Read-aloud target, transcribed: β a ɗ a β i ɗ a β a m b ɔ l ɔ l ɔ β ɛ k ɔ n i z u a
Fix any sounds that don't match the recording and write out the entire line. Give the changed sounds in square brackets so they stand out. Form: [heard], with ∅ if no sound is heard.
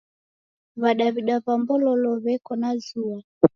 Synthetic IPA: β a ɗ a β i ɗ a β a m b ɔ l ɔ l ɔ β ɛ k ɔ n [a] z u a